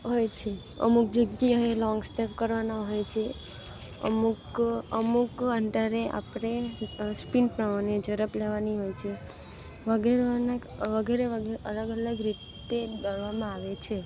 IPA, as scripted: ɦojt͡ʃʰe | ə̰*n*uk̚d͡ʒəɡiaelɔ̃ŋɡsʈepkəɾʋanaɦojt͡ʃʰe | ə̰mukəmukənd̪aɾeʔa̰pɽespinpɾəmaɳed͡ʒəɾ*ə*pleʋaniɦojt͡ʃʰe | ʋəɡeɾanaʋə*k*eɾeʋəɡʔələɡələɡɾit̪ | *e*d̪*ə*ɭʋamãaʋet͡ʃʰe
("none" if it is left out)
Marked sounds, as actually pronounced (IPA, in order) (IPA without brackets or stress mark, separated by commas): m, ə, ɡ, e, ə